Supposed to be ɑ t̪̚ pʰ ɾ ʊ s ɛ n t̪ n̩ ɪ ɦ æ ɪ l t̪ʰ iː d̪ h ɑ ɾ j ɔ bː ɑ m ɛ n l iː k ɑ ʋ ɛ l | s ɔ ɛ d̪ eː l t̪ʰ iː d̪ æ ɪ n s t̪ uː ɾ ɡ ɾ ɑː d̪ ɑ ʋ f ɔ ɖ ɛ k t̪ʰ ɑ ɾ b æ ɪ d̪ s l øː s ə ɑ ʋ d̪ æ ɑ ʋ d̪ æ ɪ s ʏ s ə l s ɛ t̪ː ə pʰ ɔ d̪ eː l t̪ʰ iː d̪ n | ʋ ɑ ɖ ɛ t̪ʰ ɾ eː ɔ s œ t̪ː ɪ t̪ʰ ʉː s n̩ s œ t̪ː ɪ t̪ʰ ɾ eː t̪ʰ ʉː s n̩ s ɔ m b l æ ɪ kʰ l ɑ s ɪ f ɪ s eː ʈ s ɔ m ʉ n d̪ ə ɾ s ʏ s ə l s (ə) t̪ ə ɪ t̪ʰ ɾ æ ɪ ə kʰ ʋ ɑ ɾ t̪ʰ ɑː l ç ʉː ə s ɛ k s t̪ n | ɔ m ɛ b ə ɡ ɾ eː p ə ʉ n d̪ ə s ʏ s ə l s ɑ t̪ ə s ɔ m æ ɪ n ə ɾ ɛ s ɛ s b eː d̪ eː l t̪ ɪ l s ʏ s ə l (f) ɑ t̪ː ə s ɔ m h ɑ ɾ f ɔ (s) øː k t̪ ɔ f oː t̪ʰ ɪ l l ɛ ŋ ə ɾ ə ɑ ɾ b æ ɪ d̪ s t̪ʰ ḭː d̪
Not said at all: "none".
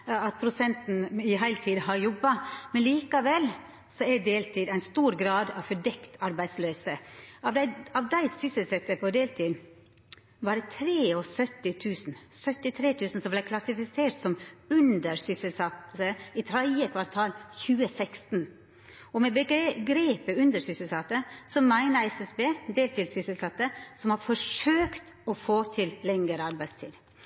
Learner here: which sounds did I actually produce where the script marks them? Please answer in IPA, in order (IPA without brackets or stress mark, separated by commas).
ɑ, s, ʂ